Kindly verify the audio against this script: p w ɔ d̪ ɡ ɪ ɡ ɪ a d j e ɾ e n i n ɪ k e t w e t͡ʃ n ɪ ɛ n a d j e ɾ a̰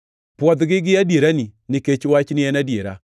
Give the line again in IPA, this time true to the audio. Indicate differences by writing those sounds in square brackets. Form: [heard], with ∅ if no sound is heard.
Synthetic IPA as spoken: p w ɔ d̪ ɡ ɪ ɡ ɪ a d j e ɾ [a] n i n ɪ k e [t͡ʃ] w [a] t͡ʃ n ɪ ɛ n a d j e ɾ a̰